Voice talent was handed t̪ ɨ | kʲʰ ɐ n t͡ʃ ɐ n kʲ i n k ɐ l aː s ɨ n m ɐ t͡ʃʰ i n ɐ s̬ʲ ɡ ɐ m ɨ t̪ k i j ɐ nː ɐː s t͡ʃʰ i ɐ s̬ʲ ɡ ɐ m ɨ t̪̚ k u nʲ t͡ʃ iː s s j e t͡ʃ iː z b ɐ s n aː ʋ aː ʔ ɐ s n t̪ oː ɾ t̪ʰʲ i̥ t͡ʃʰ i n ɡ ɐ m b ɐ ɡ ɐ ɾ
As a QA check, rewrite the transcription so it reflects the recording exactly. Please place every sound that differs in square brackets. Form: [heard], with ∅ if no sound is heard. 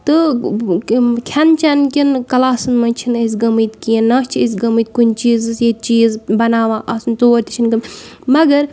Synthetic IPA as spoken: t̪ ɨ | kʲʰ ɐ n t͡ʃ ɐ n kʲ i n k ɐ l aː s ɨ n m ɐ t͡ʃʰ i n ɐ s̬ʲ ɡ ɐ m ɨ t̪ k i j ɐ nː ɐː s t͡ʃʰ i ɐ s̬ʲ ɡ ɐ m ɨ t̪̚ k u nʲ t͡ʃ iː [z] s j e t͡ʃ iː z b ɐ [∅] n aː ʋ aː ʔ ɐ s n t̪ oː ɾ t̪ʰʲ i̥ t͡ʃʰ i n ɡ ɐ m [m] ɐ ɡ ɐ ɾ